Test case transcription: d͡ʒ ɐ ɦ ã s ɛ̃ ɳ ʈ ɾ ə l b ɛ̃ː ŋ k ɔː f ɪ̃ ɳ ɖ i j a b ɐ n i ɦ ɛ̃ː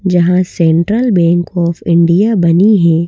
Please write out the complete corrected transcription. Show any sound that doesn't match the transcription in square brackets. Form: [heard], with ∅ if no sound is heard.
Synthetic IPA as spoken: d͡ʒ ɐ ɦ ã s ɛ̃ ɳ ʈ ɾ ə l b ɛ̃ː ŋ k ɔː f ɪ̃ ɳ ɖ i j a b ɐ n i ɦ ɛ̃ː